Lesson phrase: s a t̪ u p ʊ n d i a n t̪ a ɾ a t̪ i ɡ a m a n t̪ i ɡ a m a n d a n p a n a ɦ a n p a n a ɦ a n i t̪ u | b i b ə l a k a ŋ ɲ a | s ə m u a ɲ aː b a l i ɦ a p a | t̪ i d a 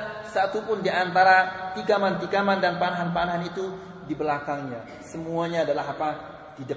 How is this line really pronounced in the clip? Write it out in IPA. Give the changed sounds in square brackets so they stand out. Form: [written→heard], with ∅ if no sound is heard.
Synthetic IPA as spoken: s a t̪ u p ʊ n d i a n t̪ a ɾ a t̪ i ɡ a m a n t̪ i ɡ a m a n d a n p a n a ɦ a n p a n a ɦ a n i t̪ u | [b→d] i b ə l a k a ŋ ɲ a | s ə m u a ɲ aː [b→d] a l [i→a] ɦ a p a | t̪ i d a